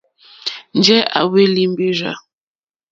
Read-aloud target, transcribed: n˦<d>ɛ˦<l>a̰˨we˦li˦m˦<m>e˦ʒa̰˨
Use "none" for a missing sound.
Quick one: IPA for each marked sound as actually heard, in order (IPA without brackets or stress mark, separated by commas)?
d͡ʒ, none, b